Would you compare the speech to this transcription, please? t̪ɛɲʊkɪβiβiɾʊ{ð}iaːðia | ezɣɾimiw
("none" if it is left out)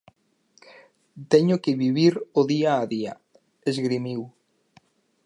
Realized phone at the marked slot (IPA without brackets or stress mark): ð